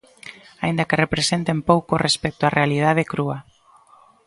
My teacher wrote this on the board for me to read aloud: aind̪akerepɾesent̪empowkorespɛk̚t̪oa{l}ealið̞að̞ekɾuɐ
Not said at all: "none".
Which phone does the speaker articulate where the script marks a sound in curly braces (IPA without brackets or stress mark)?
r